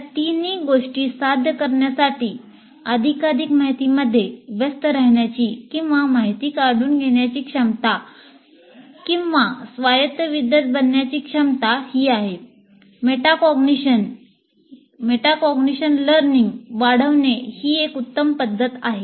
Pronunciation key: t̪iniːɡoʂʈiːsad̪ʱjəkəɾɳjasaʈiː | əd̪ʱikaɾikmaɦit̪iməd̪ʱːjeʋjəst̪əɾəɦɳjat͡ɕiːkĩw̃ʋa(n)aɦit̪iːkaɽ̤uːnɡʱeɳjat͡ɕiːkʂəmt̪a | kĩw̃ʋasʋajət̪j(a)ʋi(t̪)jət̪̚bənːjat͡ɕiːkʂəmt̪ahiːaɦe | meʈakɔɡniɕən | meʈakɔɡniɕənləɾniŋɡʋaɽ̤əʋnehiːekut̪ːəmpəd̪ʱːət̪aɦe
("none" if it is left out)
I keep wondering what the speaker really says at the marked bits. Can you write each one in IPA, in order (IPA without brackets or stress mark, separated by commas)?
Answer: m, ə, d̪